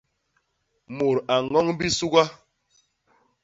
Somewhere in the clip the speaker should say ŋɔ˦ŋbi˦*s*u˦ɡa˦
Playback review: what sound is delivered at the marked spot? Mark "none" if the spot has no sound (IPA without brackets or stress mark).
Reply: s